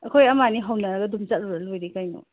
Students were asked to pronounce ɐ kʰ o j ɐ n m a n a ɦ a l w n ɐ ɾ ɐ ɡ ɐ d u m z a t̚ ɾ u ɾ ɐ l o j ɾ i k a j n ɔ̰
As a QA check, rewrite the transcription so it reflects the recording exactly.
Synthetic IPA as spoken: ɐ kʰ o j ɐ m a n i ɦ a w n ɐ ɾ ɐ ɡ ɐ d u m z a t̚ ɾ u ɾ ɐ l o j ɾ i k a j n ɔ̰